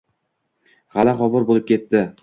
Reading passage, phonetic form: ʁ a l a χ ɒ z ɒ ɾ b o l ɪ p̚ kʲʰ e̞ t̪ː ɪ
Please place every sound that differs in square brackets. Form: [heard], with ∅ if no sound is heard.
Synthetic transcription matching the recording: ʁ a l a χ ɒ [v] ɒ ɾ b o l ɪ p̚ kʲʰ e̞ t̪ː ɪ